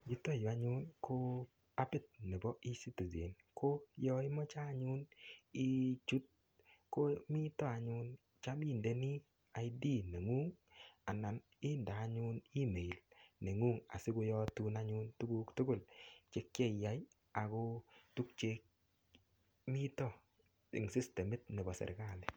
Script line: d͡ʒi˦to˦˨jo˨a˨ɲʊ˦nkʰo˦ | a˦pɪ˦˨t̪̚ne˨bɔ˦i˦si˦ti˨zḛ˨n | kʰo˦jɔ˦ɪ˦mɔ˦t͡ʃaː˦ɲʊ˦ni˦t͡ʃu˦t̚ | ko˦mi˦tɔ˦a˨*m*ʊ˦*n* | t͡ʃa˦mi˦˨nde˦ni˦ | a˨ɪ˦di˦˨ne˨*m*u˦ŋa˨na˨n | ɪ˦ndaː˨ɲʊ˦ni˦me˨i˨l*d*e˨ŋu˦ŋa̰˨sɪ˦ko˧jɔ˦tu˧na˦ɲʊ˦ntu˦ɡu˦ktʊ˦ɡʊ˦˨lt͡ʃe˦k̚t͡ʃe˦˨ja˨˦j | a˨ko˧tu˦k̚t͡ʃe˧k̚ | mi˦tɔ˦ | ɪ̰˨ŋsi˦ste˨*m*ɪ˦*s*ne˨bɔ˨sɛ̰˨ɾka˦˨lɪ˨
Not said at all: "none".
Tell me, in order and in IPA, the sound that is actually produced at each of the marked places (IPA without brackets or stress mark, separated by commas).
ɲ, n, ŋ, n, m, t